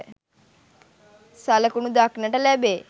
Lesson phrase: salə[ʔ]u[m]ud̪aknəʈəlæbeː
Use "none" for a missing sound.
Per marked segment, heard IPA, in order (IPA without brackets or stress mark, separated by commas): k, n